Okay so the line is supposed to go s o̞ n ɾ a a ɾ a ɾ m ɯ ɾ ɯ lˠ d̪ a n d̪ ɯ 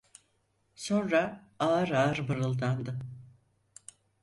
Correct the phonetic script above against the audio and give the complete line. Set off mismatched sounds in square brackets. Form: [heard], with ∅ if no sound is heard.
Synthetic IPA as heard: s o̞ n ɾ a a ɾ a ɾ [b] ɯ ɾ ɯ lˠ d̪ a n d̪ ɯ